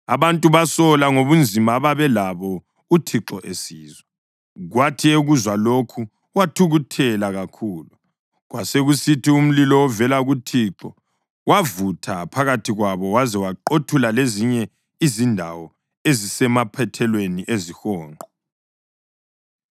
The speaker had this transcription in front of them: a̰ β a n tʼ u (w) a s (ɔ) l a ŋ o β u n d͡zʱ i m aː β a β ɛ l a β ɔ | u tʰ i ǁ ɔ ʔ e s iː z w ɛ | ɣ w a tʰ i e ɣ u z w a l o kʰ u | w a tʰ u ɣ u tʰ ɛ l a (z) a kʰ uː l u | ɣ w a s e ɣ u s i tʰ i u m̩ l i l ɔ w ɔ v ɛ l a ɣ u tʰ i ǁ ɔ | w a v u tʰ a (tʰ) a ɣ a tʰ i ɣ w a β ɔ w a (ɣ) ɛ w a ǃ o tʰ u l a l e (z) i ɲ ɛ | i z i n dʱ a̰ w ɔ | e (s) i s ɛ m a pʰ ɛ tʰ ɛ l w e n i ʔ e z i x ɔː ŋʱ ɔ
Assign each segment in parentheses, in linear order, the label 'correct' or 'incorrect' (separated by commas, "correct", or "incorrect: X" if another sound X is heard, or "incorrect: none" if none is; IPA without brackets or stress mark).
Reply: incorrect: β, correct, incorrect: ɣ, incorrect: pʰ, incorrect: z, correct, incorrect: z